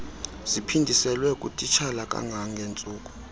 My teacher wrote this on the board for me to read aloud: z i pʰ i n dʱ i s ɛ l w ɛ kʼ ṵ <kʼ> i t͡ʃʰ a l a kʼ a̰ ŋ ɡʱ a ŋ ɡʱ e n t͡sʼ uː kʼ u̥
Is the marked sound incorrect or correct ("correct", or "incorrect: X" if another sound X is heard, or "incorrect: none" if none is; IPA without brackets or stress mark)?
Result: incorrect: tʼ